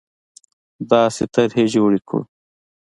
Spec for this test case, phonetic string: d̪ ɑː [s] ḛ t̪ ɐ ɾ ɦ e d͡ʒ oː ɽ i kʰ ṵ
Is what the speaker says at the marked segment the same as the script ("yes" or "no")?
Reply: yes